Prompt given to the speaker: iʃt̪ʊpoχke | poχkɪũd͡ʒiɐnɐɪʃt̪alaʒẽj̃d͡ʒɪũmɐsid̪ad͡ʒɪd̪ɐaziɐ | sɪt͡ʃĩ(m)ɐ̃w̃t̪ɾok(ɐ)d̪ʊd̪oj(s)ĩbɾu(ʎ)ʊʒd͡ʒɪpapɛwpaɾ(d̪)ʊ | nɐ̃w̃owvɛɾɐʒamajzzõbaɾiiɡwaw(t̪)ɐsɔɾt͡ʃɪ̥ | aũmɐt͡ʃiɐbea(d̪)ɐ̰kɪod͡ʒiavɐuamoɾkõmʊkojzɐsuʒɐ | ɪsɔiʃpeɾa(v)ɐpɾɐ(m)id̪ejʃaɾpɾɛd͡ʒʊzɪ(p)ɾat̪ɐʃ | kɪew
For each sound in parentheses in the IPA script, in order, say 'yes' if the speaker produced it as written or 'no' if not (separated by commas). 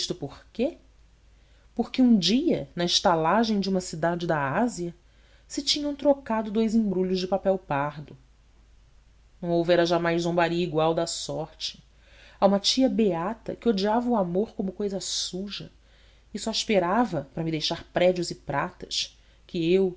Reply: no, no, no, yes, yes, no, no, yes, yes, yes